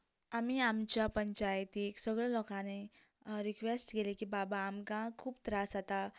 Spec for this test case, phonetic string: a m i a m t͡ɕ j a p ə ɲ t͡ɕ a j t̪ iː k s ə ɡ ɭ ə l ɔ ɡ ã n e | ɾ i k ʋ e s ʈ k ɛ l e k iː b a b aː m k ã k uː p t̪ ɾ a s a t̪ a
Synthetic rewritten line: a m i a m t͡ɕ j a p ə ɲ t͡ɕ a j t̪ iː k s ə ɡ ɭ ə l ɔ k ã n e | ɾ i k ʋ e s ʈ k e l e k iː b a b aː m k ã kʰ uː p t̪ ɾ a s a t̪ a